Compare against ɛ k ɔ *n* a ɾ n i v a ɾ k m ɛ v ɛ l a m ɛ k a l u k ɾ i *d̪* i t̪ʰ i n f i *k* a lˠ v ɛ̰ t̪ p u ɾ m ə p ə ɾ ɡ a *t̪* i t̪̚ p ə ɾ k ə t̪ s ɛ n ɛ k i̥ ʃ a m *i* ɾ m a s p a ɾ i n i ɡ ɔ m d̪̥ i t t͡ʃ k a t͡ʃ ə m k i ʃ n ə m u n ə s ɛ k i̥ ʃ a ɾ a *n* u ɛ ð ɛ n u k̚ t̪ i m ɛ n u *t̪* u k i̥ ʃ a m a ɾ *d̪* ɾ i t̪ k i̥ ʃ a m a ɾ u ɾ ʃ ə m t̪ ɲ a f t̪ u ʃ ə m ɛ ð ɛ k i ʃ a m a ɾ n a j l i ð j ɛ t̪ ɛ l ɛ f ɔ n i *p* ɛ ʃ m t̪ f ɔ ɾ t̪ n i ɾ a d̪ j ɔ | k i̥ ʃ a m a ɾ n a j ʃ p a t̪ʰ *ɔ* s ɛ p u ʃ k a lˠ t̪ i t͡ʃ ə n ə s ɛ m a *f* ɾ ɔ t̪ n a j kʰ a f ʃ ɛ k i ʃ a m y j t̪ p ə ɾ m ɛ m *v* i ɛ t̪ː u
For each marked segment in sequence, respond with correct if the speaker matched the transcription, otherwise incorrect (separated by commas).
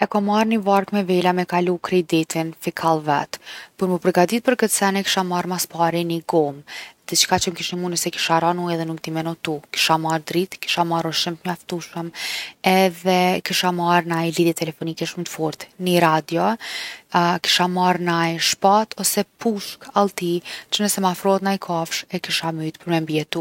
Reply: incorrect, correct, incorrect, incorrect, incorrect, correct, correct, correct, incorrect, correct, correct, incorrect